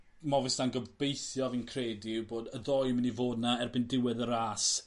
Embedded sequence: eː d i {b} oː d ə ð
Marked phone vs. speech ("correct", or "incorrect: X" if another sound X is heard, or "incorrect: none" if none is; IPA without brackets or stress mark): correct